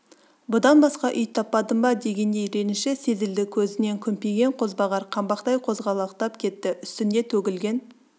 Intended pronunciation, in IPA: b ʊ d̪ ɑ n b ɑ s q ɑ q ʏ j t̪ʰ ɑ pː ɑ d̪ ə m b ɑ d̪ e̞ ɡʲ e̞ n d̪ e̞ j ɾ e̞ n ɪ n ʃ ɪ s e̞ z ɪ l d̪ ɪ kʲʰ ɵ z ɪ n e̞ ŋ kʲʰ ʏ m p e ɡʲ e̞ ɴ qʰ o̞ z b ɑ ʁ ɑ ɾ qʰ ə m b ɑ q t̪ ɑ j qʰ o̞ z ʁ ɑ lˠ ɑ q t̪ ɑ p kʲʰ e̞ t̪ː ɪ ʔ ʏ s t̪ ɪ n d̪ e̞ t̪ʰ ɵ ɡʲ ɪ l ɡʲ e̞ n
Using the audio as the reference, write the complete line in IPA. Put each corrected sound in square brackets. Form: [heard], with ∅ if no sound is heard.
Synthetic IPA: b ʊ d̪ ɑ n b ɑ s q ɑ [ʔ] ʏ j t̪ʰ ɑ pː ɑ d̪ ə m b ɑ d̪ e̞ ɡʲ e̞ n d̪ e̞ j ɾ e̞ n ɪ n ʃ ɪ s e̞ z ɪ l d̪ ɪ kʲʰ ɵ z ɪ n e̞ ŋ kʲʰ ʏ m p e ɡʲ e̞ ɴ qʰ o̞ z b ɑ ʁ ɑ ɾ qʰ [ɑ] m b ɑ q t̪ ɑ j qʰ o̞ z ʁ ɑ lˠ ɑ q t̪ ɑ p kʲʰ e̞ t̪ː ɪ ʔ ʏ s t̪ ɪ n d̪ e̞ t̪ʰ ɵ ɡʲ ɪ l ɡʲ e̞ n

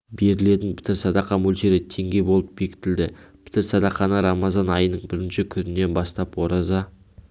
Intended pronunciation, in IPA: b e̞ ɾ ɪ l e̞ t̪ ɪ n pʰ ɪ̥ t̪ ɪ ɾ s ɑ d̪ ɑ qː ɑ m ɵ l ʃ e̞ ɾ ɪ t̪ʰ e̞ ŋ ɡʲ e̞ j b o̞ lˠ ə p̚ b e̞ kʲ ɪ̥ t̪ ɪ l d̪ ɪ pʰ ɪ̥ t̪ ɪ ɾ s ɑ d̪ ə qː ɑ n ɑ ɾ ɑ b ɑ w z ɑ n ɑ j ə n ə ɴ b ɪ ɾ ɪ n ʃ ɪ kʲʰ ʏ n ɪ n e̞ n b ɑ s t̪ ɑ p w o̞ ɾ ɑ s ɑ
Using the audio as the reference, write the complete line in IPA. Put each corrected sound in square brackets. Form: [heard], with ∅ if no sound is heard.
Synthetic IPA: b e̞ ɾ ɪ l e̞ t̪ ɪ n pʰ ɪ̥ t̪ ɪ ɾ s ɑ d̪ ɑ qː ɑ m ɵ l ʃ e̞ ɾ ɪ t̪ʰ e̞ ŋ ɡʲ e̞ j b o̞ lˠ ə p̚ b e̞ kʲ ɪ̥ t̪ ɪ l d̪ ɪ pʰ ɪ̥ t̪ ɪ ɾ s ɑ d̪ [ɑ] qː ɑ n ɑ ɾ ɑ [m] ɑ [∅] z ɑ n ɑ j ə n ə ɴ b ɪ ɾ ɪ n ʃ ɪ kʲʰ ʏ n ɪ n e̞ n b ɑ s t̪ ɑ p w o̞ ɾ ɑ [z] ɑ

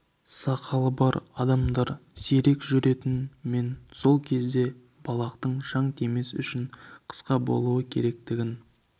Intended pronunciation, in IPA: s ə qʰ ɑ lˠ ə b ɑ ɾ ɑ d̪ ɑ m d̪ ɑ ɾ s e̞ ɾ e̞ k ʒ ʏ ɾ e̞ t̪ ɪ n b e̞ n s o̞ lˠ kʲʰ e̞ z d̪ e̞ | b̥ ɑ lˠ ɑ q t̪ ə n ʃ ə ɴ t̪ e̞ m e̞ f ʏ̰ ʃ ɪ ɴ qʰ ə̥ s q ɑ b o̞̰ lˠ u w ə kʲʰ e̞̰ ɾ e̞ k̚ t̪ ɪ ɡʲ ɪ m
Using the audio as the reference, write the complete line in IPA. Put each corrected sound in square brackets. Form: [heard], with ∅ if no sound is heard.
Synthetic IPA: s [ɑ] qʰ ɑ lˠ ə b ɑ ɾ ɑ d̪ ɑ m d̪ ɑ ɾ s e̞ ɾ e̞ k ʒ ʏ ɾ e̞ t̪ ɪ n [m] e̞ n s o̞ lˠ kʲʰ e̞ z d̪ e̞ | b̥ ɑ lˠ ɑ q t̪ ə [ɴ] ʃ [ɑ] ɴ t̪ e̞ m e̞ [s] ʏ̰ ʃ ɪ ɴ qʰ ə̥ s q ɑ b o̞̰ lˠ u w ə kʲʰ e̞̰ ɾ e̞ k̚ t̪ ɪ ɡʲ ɪ [n]

